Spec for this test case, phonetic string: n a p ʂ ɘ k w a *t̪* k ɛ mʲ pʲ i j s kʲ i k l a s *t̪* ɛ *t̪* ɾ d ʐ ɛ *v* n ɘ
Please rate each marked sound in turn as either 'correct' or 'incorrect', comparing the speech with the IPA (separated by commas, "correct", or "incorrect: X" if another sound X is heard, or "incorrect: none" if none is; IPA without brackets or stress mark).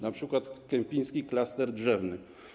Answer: correct, correct, incorrect: none, correct